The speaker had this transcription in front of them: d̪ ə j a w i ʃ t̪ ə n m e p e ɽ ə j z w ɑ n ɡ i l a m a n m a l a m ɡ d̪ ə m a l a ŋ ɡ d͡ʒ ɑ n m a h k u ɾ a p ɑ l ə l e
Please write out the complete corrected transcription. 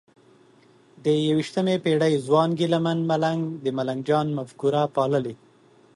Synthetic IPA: d̪ ə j a w i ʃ t̪ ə m e p e ɽ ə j z w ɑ n ɡ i l a m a n m a l a ŋ ɡ d̪ ə m a l a ŋ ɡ d͡ʒ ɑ n m a f k u ɾ a p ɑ l ə l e